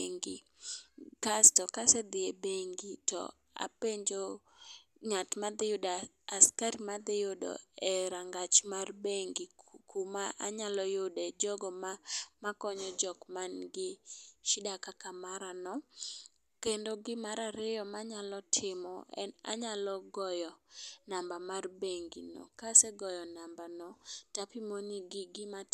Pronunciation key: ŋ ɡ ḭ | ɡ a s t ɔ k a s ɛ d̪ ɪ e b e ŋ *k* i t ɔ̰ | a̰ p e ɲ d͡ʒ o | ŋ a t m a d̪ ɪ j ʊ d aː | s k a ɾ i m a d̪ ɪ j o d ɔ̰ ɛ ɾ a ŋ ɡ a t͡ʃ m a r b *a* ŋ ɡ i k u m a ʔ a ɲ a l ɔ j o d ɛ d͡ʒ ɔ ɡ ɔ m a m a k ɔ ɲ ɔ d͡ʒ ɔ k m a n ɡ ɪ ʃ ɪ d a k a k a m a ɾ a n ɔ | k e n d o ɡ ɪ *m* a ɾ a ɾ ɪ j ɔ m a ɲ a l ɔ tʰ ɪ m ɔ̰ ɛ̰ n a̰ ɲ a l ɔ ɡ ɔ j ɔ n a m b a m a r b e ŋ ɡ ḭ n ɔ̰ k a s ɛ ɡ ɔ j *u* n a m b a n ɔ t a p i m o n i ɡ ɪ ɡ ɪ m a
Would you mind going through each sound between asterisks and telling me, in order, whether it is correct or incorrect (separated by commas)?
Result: incorrect, incorrect, correct, incorrect